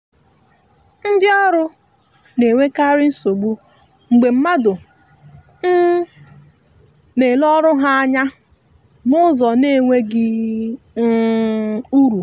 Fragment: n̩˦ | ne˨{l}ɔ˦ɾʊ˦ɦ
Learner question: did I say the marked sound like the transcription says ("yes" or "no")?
yes